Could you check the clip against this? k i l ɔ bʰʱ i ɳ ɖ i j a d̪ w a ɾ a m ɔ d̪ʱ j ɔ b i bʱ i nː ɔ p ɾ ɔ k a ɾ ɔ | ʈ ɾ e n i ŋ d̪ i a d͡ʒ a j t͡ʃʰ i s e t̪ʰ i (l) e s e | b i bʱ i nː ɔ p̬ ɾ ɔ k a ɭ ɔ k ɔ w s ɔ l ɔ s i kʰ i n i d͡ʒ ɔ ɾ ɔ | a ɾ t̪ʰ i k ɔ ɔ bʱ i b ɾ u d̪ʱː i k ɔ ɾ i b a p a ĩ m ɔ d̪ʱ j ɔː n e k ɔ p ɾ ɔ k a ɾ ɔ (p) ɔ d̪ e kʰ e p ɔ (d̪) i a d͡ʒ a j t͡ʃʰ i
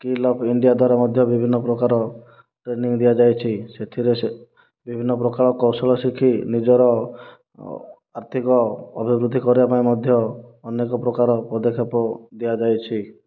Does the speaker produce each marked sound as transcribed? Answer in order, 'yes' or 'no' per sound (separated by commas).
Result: no, yes, yes